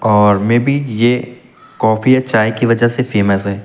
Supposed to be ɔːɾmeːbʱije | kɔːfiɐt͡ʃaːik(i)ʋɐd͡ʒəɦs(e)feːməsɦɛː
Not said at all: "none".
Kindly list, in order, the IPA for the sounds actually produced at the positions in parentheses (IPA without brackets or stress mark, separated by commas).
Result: i, e